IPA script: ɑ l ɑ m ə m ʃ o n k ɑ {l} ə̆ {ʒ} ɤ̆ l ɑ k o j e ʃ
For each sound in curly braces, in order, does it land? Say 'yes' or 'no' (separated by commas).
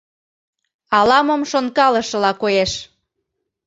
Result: yes, no